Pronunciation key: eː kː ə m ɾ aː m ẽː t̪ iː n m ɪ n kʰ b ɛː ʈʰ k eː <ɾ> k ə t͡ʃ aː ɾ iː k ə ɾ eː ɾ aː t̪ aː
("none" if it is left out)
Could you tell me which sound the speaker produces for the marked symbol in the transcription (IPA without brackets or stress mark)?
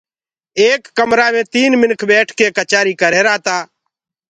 none